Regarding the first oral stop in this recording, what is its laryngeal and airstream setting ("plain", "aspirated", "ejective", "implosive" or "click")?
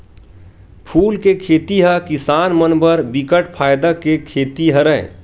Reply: aspirated